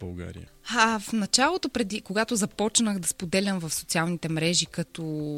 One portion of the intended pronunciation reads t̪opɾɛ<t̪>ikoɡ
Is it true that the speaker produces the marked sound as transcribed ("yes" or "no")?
no